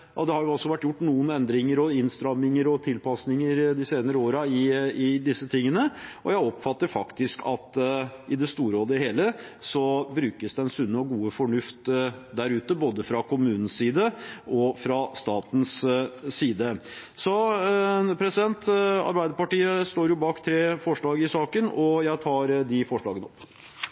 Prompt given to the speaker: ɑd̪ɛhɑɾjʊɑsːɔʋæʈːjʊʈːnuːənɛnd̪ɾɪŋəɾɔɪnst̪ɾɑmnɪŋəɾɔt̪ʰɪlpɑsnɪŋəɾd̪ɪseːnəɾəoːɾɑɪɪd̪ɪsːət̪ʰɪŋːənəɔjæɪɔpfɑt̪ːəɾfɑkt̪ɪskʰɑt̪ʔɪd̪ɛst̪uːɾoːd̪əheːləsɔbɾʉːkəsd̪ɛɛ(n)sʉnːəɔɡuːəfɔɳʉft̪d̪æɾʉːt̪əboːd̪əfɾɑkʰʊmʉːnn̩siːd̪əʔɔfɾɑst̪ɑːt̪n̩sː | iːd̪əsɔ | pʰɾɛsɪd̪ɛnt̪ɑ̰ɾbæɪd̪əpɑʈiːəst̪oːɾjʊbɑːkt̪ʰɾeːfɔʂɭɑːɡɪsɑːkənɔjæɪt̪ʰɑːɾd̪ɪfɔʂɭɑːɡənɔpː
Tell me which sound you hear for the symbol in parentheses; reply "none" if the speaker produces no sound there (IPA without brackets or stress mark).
n